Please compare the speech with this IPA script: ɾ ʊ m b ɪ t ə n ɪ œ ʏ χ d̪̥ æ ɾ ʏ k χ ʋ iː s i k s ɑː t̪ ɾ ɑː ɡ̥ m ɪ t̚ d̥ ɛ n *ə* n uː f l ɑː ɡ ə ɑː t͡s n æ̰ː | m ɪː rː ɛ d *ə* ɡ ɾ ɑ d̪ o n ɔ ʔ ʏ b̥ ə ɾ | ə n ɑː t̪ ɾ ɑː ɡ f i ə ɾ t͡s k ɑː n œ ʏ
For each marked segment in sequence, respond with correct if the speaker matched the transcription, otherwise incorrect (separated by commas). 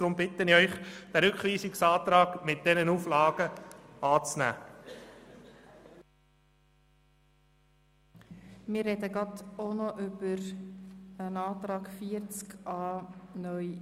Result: correct, correct